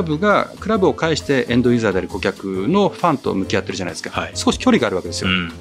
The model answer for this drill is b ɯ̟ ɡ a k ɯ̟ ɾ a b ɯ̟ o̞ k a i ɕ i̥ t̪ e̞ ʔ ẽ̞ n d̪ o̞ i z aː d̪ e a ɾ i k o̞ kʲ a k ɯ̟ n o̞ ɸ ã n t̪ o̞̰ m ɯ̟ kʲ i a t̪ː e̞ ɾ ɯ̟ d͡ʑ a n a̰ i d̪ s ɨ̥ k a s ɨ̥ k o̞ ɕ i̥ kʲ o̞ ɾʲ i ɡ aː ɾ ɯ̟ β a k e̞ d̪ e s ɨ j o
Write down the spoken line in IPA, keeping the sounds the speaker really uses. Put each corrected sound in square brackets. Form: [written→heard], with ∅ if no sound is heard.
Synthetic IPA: b ɯ̟ ɡ a k ɯ̟ ɾ a b ɯ̟ o̞ k a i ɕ i̥ t̪ e̞ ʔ ẽ̞ n d̪ o̞ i z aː d̪ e a ɾ i k o̞ kʲ a k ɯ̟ n o̞ ɸ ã n t̪ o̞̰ m ɯ̟ kʲ i a t̪ː e̞ ɾ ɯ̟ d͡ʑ a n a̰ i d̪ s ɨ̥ k a s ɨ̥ k o̞ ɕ i̥ kʲ o̞ ɾʲ i ɡ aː ɾ ɯ̟ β a k e̞ d̪ e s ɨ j o